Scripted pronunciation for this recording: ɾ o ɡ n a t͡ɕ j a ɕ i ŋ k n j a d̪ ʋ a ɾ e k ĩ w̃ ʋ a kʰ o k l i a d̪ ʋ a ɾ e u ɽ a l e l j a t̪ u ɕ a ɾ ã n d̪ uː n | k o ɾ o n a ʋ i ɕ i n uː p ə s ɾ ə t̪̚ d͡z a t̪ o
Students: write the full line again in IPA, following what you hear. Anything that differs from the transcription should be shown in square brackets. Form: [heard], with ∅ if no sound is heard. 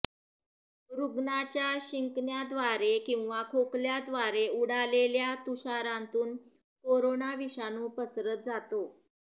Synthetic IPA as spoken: ɾ [u] ɡ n a t͡ɕ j a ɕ i ŋ k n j a d̪ ʋ a ɾ e k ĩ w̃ ʋ a kʰ o k l [j] a d̪ ʋ a ɾ e u ɽ a l e l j a t̪ u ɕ a ɾ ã n [t̪] uː n | k o ɾ o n a ʋ i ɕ [a] n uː p ə s ɾ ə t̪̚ d͡z a t̪ o